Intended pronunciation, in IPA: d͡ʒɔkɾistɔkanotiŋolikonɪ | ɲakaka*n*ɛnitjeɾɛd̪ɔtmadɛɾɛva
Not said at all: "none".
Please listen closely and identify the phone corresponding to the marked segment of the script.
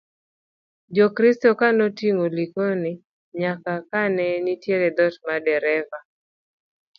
n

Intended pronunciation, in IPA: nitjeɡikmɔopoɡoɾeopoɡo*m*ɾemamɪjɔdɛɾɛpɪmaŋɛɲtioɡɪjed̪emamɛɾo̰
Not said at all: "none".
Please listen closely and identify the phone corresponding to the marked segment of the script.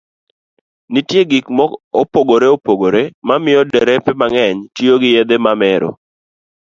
none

